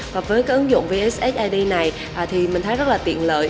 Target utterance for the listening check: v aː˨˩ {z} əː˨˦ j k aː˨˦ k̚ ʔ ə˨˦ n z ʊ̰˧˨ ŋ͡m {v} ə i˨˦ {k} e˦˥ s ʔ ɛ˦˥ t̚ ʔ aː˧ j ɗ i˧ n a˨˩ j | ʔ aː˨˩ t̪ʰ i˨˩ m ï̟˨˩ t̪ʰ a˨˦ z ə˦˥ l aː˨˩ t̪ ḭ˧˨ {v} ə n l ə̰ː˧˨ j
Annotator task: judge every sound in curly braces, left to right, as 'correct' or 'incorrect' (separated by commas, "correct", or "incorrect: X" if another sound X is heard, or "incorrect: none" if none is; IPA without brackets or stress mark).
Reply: incorrect: v, correct, incorrect: ʔ, incorrect: none